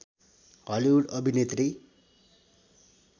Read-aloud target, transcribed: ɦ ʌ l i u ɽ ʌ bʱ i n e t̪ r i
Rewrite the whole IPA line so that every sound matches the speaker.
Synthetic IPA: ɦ ʌ l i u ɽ ʌ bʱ i n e t̪ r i